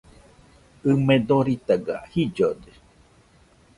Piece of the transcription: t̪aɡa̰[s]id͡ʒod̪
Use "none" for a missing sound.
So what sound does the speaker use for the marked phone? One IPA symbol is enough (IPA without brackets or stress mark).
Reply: h